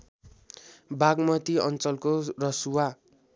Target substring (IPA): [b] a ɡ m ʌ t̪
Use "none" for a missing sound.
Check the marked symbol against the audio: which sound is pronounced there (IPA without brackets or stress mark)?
b